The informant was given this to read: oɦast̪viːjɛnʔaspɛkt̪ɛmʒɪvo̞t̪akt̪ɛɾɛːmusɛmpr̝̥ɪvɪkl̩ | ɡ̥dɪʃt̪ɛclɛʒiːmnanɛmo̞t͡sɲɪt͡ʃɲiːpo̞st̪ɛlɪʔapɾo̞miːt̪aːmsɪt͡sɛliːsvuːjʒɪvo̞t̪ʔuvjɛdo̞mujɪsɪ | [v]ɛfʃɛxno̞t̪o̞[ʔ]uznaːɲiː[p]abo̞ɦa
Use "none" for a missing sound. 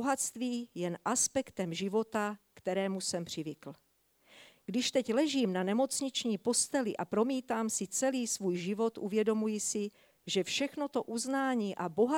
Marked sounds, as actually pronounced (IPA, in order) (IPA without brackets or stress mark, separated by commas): ʒ, ʔ, ʔ